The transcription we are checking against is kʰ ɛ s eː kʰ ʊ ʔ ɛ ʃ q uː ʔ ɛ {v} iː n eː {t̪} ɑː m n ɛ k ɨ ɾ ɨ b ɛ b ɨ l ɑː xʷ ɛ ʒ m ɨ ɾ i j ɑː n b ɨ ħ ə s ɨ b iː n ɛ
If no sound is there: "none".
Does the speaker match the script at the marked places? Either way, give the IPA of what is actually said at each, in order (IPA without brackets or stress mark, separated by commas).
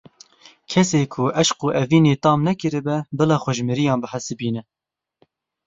v, t̪